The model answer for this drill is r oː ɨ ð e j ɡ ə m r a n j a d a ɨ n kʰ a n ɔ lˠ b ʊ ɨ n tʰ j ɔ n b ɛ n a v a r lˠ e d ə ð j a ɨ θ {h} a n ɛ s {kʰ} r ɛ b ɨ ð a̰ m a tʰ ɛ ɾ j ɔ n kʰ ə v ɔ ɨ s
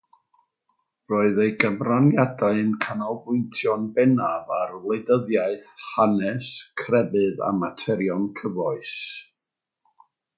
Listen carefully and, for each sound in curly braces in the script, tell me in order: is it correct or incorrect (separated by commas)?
correct, correct